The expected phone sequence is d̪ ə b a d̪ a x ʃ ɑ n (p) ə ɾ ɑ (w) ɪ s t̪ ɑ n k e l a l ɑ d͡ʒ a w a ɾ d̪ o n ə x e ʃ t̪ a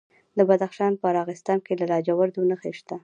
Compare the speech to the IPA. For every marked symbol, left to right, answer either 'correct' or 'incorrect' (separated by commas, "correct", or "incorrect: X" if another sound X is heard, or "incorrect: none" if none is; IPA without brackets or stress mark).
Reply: correct, incorrect: ɣ